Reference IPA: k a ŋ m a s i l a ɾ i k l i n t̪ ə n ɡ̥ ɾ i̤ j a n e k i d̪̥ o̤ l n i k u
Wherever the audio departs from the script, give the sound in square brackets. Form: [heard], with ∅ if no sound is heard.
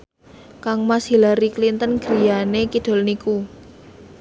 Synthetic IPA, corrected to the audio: k a ŋ m a s i l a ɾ i k l i n t̪ ə n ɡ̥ ɾ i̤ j a n e k i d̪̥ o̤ l n i k u